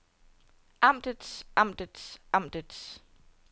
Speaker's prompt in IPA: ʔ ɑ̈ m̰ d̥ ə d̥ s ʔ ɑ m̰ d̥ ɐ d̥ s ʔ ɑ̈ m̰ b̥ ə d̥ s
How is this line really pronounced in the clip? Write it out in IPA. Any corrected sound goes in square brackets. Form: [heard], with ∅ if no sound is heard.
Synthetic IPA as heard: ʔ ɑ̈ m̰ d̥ ə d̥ s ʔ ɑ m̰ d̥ [ə] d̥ s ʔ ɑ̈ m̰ [d̥] ə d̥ s